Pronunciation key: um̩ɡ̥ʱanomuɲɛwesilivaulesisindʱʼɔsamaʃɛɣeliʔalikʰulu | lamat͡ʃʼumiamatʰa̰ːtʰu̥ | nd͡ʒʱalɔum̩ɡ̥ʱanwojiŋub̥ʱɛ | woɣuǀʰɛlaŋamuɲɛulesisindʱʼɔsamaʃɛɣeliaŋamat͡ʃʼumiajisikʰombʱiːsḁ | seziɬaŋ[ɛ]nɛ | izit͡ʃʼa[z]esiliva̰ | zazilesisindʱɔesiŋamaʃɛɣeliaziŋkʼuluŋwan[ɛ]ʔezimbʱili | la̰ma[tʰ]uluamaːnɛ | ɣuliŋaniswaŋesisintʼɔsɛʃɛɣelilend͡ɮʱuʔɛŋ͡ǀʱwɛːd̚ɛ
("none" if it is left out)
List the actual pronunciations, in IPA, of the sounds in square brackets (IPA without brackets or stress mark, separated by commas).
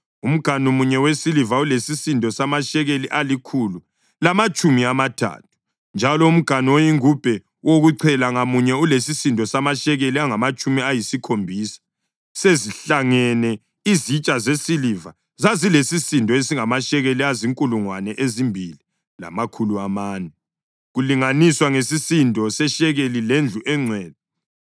ɛ, z, ɛ, kʰ